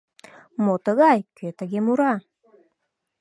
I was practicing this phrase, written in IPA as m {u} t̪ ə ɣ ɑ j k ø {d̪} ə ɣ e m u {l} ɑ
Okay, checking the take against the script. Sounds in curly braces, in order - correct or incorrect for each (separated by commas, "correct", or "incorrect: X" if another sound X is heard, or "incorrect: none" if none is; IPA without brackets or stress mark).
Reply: incorrect: o, incorrect: t̪, incorrect: ɾ